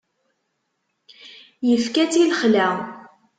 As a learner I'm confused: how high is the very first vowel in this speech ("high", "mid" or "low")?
mid